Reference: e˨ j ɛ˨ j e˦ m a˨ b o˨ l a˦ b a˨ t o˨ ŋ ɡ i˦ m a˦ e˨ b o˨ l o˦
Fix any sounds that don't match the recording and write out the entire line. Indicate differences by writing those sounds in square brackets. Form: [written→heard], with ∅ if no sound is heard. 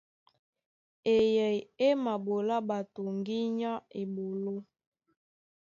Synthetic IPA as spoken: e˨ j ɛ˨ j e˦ m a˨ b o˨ l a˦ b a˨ t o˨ ŋ ɡ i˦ [m→ɲ] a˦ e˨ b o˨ l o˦